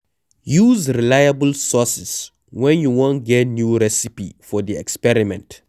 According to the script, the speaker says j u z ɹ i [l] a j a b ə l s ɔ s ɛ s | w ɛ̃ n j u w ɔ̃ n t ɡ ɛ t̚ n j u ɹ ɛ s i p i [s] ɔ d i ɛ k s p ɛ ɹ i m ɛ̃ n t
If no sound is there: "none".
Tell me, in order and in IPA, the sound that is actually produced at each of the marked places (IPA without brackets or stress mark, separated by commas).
l, f